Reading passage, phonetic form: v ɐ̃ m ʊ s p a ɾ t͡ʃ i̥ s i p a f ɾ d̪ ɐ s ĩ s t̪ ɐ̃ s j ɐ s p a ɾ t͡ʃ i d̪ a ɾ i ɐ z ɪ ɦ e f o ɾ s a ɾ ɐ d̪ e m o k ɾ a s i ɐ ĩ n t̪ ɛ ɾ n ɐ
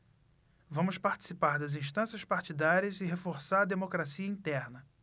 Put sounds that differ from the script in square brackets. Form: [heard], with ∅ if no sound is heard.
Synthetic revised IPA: v ɐ̃ m ʊ s p a ɾ t͡ʃ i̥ s i p a [∅] ɾ d̪ ɐ [z] ĩ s t̪ ɐ̃ s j ɐ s p a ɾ t͡ʃ i d̪ a ɾ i ɐ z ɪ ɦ e f o ɾ s a ɾ ɐ d̪ e m o k ɾ a s i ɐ ĩ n t̪ ɛ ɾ n ɐ